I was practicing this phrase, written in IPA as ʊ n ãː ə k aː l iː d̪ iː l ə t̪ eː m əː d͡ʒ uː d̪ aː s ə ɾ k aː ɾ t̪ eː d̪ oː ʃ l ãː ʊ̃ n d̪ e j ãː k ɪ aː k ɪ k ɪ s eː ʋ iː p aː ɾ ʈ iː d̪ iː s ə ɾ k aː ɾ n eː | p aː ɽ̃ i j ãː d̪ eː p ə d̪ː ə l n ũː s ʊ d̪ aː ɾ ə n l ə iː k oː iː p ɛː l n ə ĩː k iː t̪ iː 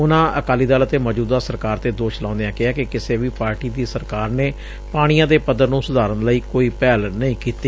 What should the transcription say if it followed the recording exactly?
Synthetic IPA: ʊ n ãː ə k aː l iː d̪ aː l ə t̪ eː m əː d͡ʒ uː d̪ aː s ə ɾ k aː ɾ t̪ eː d̪ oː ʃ l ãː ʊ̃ n d̪ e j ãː k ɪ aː k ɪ k ɪ s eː ʋ iː p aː ɾ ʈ iː d̪ iː s ə ɾ k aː ɾ n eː | p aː ɽ̃ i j ãː d̪ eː p ə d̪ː ə ɾ n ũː s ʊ d̪ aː ɾ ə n l ə iː k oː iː p ɛː l n ə ĩː k iː t̪ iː

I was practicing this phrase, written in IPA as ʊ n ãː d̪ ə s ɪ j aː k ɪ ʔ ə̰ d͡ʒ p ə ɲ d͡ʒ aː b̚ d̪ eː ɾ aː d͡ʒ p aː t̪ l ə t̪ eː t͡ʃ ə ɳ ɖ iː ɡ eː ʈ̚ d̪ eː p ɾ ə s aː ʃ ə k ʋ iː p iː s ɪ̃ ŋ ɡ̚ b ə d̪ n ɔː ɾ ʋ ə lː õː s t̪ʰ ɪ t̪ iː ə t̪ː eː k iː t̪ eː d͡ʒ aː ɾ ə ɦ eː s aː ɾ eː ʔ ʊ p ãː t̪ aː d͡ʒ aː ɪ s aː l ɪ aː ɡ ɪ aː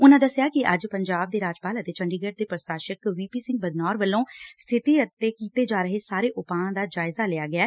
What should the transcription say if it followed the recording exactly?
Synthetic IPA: ʊ n ãː d̪ ə s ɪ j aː k ɪ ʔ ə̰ d͡ʒ p ə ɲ d͡ʒ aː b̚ d̪ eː ɾ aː d͡ʒ p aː l ə t̪ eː t͡ʃ ə ɳ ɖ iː ɡ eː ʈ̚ d̪ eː p ɾ ə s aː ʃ ə k ʋ iː p iː s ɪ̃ ŋ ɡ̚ b ə d̪ n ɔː ɾ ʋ ə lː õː s t̪ʰ ɪ t̪ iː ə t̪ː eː k iː t̪ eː d͡ʒ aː ɾ ə ɦ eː s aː ɾ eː ʔ ʊ p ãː d̪ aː d͡ʒ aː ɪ z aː l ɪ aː ɡ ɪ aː

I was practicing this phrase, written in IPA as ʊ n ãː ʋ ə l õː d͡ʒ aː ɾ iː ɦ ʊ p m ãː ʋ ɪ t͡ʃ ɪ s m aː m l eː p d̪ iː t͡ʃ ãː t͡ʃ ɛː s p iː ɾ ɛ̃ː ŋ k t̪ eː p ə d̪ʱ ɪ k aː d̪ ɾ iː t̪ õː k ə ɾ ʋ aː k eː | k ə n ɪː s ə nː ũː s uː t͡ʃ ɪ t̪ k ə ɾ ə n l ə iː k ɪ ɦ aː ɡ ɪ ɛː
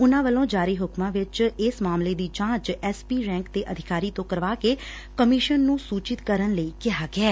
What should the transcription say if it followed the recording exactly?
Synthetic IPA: ʊ n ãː ʋ ə l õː d͡ʒ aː ɾ iː ɦ ʊ k m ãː ʋ ɪ t͡ʃ ɪ s m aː m l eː d̪ iː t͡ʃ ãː t͡ʃ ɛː s p iː ɾ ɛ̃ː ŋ k t̪ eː ʔ ə d̪ʱ ɪ k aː ɾ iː t̪ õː k ə ɾ ʋ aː k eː | k ə m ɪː ʃ ə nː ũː s uː t͡ʃ ɪ t̪ k ə ɾ ə n l ə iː k ɪ ɦ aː ɡ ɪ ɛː

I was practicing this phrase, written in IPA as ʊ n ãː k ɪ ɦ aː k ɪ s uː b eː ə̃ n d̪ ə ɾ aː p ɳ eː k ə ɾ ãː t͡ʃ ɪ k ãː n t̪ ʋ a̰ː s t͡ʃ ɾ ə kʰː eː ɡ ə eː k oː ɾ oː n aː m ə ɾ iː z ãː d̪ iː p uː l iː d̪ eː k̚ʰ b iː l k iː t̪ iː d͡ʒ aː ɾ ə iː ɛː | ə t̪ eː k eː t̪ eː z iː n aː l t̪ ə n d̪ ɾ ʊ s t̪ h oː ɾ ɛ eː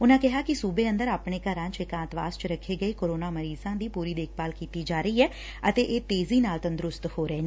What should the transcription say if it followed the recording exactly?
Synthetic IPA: ʊ n ãː k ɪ ɦ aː k ɪ s uː b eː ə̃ n d̪ ə ɾ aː p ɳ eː k ə ɾ ãː t͡ʃ ɪ k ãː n t̪ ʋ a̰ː s t͡ʃ ɾ ə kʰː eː ɡ ə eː k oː ɾ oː n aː m ə ɾ iː z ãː d̪ iː p uː ɾ iː d̪ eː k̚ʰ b aː l k iː t̪ iː d͡ʒ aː ɾ ə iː ɛː | ə t̪ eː ʔ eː t̪ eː z iː n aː l t̪ ə n d̪ ɾ ʊ s t̪ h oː ɾ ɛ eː

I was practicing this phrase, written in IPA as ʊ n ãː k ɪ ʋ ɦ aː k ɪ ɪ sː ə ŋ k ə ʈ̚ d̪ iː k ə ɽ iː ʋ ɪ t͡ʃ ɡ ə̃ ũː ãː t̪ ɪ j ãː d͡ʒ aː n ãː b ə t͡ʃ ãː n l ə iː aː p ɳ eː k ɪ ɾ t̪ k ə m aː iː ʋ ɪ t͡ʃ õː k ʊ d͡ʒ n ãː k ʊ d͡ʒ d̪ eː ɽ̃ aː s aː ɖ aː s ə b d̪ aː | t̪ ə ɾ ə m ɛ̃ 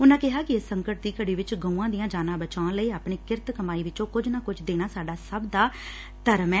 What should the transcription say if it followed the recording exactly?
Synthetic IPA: ʊ n ãː k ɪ ɦ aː k ɪ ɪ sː ə ŋ k ə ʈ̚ d̪ iː k ə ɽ iː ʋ ɪ t͡ʃ ɡ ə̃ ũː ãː d̪ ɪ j ãː d͡ʒ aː n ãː b ə t͡ʃ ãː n l ə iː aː p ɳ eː k ɪ ɾ t̪ k ə m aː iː ʋ ɪ t͡ʃ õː k ʊ d͡ʒ n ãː k ʊ d͡ʒ d̪ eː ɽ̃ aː s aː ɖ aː s ə b d̪ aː | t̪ ə ɾ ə m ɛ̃

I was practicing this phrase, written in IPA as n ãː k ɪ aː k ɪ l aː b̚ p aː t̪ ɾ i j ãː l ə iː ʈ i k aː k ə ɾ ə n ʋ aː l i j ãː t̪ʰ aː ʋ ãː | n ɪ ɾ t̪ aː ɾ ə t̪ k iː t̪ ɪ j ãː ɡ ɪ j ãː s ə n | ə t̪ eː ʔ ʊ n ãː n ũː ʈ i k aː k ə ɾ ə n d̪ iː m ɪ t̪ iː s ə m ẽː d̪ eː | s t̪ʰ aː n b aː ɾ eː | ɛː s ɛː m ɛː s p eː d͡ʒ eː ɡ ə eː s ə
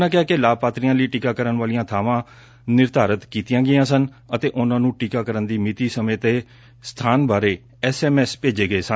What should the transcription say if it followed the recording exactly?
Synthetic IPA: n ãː k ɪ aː k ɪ l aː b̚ p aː t̪ ɾ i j ãː l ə iː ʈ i k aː k ə ɾ ə n ʋ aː l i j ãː t̪ʰ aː ʋ ãː | n ɪ ɾ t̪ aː ɾ ə t̪ k iː t̪ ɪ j ãː ɡ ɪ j ãː s ə n | ə t̪ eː ʔ ʊ n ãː n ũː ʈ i k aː k ə ɾ ə n d̪ iː m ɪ t̪ iː s ə m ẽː t̪ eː | s t̪ʰ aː n b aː ɾ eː | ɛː s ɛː m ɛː s p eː d͡ʒ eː ɡ ə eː s ə

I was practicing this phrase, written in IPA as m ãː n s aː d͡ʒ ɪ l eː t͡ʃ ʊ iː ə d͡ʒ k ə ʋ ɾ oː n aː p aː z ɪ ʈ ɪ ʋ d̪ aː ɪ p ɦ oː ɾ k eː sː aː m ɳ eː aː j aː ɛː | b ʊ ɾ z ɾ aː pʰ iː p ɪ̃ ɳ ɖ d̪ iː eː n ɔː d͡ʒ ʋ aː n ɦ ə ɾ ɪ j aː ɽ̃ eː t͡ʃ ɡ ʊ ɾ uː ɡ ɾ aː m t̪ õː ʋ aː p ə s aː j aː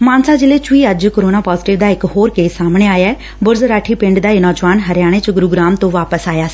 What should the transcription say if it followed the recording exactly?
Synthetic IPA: m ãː n s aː d͡ʒ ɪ l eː t͡ʃ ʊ iː ə d͡ʒ k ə ɾ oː n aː p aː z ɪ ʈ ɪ ʋ d̪ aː ɪ k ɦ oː ɾ k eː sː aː m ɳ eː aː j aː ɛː | b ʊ ɾ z ɾ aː ʈʰ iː p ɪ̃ ɳ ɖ d̪ aː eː n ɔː d͡ʒ ʋ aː n ɦ ə ɾ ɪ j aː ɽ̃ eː t͡ʃ ɡ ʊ ɾ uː ɡ ɾ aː m t̪ õː ʋ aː p ə s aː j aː

